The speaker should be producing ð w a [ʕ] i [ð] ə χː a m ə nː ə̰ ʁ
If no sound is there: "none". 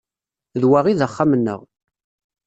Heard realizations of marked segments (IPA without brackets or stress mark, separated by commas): ʁ, ð